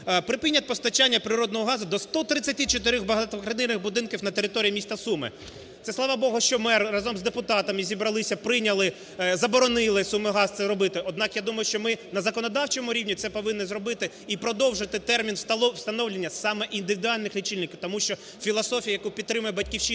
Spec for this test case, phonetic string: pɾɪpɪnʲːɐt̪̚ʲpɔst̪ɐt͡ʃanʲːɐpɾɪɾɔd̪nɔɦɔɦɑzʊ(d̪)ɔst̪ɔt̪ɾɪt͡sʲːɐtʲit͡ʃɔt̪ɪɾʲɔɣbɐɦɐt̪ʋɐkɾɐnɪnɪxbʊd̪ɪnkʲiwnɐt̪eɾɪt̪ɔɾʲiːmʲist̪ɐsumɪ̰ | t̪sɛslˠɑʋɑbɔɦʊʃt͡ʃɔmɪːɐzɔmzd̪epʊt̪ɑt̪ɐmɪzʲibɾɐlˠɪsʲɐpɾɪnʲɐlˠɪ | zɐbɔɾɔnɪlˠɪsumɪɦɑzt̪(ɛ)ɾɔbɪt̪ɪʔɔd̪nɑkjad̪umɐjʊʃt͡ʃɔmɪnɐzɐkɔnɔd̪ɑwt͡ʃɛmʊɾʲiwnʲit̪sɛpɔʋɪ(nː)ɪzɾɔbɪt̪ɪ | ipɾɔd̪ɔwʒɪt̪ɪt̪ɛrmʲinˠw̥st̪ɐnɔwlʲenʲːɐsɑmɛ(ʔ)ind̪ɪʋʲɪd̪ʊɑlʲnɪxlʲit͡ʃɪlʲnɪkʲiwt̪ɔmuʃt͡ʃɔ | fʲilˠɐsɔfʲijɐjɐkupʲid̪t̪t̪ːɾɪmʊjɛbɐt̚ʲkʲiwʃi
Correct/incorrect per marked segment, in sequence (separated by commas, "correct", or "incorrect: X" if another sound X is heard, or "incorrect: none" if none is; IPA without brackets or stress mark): correct, correct, correct, correct